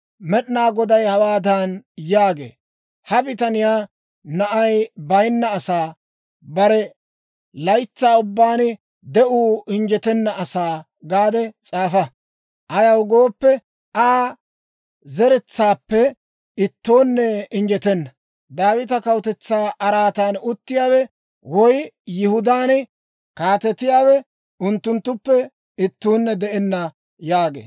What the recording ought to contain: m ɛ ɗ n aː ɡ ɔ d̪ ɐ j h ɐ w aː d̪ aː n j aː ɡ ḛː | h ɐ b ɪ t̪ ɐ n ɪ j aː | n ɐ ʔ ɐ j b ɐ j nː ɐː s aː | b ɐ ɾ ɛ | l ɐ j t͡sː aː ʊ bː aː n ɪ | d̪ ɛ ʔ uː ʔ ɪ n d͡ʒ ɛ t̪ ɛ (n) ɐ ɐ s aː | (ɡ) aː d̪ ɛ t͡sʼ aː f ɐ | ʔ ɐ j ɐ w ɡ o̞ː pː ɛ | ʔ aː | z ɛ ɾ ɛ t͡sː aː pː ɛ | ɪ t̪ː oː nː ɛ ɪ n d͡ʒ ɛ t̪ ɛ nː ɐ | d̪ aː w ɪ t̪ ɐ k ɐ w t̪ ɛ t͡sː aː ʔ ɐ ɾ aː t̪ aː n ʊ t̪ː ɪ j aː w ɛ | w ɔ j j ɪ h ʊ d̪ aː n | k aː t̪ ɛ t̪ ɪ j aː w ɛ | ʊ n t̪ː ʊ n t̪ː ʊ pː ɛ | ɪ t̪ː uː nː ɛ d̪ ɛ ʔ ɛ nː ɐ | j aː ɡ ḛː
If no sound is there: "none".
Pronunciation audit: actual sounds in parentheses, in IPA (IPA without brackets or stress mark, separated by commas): nː, ɡ